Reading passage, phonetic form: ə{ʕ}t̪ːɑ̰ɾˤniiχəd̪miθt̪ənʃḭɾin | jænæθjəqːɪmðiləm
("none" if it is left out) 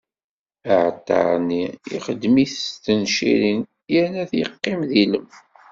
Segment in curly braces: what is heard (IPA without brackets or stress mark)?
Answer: ʕ